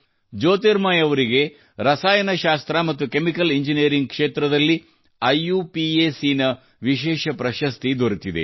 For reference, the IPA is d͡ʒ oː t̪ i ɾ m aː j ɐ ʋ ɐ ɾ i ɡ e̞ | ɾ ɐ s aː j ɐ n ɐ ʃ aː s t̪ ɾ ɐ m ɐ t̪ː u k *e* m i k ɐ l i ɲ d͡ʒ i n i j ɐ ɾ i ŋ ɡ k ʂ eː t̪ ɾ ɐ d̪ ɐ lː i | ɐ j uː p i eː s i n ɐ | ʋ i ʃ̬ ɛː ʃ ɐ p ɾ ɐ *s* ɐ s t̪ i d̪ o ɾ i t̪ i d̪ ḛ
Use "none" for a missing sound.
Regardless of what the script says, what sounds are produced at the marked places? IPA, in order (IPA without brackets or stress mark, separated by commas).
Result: e, ʃ